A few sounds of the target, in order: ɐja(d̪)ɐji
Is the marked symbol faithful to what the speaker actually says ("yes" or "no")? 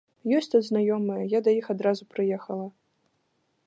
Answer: yes